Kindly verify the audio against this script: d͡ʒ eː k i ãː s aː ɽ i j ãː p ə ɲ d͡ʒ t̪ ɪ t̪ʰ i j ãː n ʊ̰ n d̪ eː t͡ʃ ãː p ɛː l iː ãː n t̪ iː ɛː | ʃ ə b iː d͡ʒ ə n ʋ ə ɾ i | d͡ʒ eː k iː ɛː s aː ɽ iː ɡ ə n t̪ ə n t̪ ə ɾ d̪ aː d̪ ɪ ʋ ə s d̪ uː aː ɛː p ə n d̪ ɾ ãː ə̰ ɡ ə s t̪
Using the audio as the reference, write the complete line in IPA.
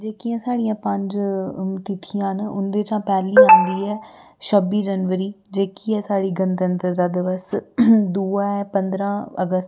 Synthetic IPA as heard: d͡ʒ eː k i ãː s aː ɽ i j ãː p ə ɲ d͡ʒ t̪ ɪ t̪ʰ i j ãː n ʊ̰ n d̪ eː t͡ʃ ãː p ɛː l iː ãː n d̪ iː ɛː | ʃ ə b iː d͡ʒ ə n ʋ ə ɾ iː | d͡ʒ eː k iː ɛː s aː ɽ iː ɡ ə n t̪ ə n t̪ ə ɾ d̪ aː d̪ ɪ ʋ ə s d̪ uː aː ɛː p ə n d̪ ɾ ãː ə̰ ɡ ə s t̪